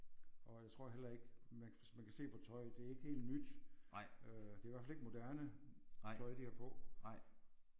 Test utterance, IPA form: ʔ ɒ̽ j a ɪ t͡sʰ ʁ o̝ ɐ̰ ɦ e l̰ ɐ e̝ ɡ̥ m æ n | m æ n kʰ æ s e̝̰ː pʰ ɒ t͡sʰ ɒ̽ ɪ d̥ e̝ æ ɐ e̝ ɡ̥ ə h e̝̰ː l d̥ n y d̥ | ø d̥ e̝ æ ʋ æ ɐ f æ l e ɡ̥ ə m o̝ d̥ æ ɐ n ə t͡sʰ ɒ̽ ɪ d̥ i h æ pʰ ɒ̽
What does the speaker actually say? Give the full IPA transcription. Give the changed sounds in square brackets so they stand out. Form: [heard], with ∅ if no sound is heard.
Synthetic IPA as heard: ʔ ɒ̽ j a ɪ t͡sʰ ʁ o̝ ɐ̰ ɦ e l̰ ɐ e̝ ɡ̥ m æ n | m æ n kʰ æ s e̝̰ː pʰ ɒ t͡sʰ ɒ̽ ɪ d̥ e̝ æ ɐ e̝ ɡ̥ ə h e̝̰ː l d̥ n y d̥ | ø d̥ e̝ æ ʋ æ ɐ f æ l e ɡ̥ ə m o̝ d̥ æ ɐ n ə t͡sʰ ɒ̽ ɪ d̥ i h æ pʰ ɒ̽